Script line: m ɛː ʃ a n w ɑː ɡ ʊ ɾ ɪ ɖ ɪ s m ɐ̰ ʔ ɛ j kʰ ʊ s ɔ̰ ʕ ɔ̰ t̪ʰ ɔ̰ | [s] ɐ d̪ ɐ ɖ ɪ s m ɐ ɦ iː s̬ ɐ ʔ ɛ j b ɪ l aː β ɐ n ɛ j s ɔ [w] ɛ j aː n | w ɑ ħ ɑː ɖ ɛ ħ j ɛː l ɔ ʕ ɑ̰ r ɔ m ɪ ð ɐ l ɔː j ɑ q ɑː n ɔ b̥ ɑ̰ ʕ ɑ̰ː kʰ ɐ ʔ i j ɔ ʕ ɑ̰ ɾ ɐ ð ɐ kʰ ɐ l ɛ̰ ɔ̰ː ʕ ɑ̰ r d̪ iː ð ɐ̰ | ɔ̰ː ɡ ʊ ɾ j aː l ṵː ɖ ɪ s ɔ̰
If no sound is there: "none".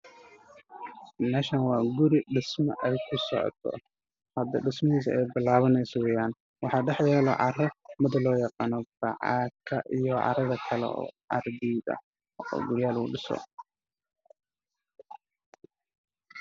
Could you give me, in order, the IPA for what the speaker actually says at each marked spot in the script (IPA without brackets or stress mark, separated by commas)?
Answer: h, w